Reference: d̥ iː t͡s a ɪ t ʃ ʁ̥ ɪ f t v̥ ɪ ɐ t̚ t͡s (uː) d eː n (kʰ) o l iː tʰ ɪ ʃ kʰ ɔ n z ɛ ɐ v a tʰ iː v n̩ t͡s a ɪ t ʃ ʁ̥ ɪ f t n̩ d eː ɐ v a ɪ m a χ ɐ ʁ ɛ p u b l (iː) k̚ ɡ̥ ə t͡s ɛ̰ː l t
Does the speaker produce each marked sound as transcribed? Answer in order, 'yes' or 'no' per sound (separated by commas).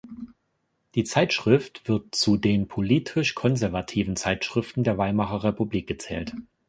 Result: no, no, yes